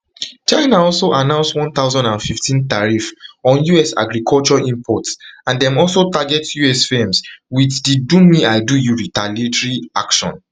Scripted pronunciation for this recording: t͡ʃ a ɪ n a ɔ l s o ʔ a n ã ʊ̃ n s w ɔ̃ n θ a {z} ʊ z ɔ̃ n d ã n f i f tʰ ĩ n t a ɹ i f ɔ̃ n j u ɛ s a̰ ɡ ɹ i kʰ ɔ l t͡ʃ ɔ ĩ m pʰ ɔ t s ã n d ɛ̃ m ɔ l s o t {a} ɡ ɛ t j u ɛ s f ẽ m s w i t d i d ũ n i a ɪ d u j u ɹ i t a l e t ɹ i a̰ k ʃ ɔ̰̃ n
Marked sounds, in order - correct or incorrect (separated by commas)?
incorrect, correct